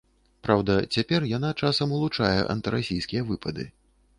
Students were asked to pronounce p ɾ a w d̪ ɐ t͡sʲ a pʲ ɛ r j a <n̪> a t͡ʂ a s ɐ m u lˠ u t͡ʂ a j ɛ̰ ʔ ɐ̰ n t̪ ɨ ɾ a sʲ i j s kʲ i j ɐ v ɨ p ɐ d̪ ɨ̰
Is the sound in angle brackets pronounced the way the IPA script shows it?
yes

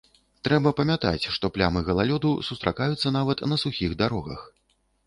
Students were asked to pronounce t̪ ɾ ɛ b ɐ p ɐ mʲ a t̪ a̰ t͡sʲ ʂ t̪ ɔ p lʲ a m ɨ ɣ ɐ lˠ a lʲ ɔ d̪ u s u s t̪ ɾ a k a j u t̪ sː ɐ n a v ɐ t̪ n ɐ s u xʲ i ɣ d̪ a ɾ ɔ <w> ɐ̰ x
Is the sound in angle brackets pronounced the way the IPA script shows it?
no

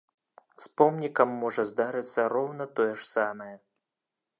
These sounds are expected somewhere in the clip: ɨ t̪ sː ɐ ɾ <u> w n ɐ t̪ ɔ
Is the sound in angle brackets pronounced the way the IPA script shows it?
no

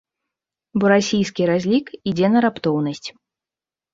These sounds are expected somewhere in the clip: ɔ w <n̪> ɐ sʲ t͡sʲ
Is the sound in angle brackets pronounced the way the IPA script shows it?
yes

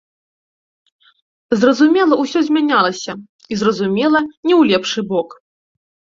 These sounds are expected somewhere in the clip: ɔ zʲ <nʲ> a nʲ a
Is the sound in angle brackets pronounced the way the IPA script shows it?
no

